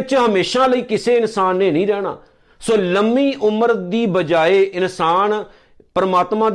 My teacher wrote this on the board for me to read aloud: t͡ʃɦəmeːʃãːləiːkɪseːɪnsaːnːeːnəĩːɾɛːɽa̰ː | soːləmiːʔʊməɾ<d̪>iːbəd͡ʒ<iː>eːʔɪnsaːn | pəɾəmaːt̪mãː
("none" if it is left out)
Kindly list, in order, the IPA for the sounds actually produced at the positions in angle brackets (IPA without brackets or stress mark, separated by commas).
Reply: d̪, aː